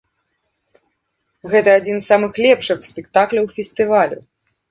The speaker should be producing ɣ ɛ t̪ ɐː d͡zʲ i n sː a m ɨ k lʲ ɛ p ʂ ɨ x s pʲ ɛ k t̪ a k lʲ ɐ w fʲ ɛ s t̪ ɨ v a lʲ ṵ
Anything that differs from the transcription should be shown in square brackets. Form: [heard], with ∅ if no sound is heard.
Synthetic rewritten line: ɣ ɛ t̪ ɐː d͡zʲ i n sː a m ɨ [x] lʲ ɛ p ʂ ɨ x s pʲ ɛ k t̪ a k lʲ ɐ w fʲ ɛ s t̪ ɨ v a lʲ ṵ